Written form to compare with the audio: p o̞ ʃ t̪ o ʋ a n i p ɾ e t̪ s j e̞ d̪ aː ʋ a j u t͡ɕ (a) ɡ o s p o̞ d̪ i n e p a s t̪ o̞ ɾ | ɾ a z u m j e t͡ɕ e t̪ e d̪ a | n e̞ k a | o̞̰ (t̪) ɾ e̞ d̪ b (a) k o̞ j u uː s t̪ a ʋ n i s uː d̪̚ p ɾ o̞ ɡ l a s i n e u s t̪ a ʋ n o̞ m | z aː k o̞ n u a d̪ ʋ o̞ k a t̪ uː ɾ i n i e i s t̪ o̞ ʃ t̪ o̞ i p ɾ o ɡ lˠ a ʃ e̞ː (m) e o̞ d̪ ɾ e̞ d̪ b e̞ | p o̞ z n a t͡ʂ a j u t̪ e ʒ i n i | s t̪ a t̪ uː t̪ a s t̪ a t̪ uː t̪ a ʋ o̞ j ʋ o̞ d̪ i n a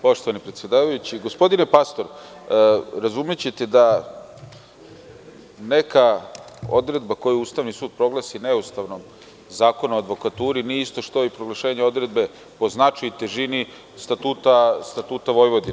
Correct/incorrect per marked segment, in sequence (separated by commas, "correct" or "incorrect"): incorrect, incorrect, correct, incorrect